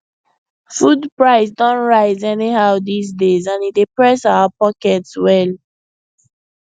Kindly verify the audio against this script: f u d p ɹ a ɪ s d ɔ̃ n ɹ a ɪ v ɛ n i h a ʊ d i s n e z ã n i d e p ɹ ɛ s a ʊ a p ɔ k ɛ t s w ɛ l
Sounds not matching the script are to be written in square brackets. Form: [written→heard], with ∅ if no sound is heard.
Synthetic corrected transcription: f u d p ɹ a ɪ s d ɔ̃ n ɹ a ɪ [v→z] ɛ n i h a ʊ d i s [n→d] e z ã n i d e p ɹ ɛ s a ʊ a p ɔ k ɛ t s w ɛ l